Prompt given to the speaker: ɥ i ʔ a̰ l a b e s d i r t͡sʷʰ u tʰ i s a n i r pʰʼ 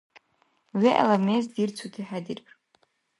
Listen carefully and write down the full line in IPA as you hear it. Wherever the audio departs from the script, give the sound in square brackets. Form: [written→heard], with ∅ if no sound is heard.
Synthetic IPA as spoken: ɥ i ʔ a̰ l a [b→m] e [s→z] d i r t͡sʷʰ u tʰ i [s→ħ] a [n→d] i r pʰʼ